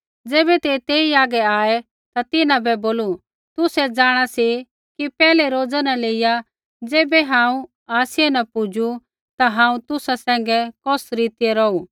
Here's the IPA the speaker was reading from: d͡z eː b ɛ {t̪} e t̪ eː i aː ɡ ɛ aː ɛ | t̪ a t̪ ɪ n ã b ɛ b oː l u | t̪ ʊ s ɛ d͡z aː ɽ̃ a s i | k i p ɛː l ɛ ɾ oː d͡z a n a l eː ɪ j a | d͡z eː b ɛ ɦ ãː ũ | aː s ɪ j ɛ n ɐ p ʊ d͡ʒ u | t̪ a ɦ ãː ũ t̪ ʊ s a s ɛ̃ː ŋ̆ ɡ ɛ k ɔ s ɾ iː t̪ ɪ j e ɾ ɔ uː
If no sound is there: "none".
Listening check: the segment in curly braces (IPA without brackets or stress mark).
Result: t̪